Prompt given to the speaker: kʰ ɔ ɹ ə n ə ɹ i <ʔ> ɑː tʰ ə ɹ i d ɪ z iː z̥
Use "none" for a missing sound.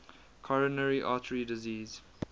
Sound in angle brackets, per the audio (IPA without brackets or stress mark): ʔ